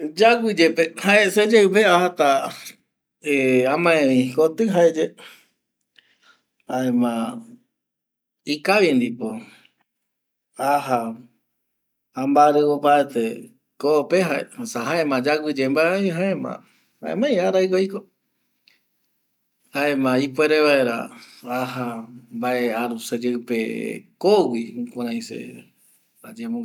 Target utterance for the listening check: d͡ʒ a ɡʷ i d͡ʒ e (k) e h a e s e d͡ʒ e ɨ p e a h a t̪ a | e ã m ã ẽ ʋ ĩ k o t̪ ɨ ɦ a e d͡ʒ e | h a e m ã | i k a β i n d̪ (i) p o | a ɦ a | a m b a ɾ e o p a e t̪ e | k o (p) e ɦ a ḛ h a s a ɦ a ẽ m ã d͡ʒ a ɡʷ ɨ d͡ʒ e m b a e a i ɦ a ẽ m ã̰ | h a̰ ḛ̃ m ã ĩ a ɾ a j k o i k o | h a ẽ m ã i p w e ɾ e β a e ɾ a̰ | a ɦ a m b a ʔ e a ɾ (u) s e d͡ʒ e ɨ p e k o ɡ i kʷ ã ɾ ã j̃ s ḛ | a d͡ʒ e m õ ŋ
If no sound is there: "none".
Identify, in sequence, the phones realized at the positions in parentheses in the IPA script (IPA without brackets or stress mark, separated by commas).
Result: p, i, p, u